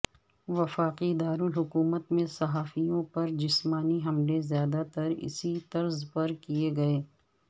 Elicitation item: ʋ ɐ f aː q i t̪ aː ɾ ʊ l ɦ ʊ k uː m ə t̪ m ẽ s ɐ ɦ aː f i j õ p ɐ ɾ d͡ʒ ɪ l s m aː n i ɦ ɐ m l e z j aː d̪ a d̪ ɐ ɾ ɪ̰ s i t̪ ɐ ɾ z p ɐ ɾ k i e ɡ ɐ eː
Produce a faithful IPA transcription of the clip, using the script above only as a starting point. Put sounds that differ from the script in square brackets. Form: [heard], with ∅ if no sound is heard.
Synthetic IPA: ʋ ɐ f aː q i [d̪] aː ɾ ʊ l ɦ ʊ k uː m ə t̪ m ẽ s ɐ ɦ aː f i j õ p ɐ ɾ d͡ʒ ɪ [∅] s m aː n i ɦ ɐ m l e z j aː d̪ a [t̪] ɐ ɾ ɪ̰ s i t̪ ɐ ɾ z p ɐ ɾ k i e ɡ ɐ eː